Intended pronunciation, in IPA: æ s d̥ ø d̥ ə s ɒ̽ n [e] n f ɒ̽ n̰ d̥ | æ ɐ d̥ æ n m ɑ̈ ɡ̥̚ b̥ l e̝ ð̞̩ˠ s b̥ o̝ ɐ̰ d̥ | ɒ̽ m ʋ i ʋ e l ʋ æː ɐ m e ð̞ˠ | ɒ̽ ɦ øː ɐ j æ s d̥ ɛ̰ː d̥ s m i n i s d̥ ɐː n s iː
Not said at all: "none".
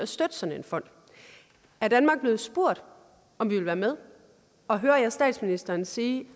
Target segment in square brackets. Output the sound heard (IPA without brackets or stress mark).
e